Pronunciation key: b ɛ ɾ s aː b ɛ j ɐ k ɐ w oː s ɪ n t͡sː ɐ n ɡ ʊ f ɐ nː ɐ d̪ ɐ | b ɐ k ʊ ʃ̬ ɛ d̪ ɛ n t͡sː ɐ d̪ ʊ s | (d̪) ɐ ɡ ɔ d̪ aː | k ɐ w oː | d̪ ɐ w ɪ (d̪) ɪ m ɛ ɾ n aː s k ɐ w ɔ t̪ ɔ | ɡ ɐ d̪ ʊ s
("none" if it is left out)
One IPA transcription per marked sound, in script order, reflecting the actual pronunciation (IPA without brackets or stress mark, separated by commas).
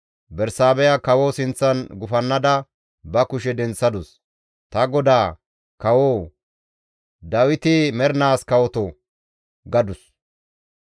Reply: t̪, t̪